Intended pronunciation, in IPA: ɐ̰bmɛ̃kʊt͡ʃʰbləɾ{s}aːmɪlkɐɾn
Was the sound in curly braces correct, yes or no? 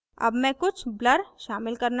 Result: no